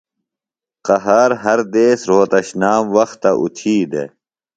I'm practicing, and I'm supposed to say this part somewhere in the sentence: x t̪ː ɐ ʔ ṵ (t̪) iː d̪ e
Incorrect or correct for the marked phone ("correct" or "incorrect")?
incorrect